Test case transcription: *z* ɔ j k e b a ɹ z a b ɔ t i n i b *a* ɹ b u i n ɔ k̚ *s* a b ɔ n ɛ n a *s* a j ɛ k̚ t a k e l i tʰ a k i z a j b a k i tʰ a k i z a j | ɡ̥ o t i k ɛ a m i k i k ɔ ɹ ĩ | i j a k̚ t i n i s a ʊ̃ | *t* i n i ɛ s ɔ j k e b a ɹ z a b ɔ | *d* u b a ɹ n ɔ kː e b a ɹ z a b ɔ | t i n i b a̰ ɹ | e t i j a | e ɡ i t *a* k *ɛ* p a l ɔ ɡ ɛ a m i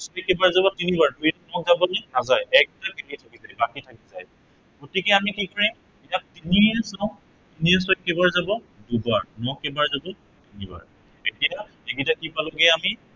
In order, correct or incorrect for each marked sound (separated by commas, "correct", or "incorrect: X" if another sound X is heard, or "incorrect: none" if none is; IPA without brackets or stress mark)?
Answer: incorrect: s, correct, incorrect: z, incorrect: z, correct, correct, correct, incorrect: i